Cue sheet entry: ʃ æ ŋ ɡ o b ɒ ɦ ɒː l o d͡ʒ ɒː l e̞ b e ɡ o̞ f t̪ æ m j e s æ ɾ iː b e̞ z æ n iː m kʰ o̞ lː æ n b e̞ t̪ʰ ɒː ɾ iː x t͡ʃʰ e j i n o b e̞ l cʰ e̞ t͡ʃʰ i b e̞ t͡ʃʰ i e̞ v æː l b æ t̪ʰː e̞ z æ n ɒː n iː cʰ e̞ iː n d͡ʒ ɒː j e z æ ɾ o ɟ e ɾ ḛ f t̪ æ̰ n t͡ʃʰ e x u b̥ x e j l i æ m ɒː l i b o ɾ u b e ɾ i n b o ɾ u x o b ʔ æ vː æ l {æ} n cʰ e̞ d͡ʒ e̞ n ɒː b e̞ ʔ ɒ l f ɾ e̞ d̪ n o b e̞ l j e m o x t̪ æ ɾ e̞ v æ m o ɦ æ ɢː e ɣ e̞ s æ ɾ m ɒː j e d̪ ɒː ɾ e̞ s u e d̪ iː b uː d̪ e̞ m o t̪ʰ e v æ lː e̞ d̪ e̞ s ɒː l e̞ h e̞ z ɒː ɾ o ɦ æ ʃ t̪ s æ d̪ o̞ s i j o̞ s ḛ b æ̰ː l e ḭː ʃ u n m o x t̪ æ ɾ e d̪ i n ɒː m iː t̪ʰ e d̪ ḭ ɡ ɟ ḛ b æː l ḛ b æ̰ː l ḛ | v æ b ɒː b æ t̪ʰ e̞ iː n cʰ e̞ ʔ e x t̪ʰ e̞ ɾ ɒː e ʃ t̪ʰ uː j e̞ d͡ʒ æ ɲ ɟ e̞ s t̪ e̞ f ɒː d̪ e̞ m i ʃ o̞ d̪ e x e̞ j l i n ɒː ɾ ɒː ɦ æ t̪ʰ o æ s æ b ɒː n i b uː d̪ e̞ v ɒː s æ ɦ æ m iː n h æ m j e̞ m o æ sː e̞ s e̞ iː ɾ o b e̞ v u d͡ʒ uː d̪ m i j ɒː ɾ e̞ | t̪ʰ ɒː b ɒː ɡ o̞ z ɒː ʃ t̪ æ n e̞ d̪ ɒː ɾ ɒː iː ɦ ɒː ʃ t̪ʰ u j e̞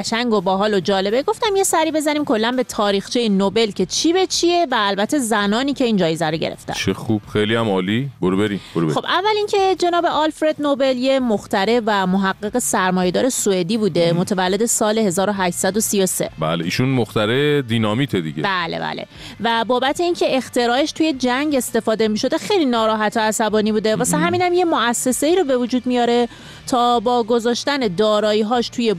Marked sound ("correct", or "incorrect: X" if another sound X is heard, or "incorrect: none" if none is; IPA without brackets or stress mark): incorrect: i